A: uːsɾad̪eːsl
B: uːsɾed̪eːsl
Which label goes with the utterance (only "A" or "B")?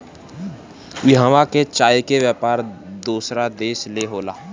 A